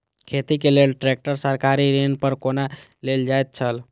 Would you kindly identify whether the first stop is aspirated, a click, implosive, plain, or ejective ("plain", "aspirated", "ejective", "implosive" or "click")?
aspirated